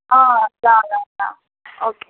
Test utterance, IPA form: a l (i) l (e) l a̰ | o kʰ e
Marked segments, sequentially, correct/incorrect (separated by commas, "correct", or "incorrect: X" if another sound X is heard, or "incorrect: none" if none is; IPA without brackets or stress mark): incorrect: a, incorrect: a